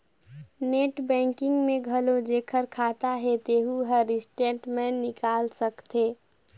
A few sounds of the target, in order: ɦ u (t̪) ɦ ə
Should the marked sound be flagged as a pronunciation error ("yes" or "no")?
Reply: yes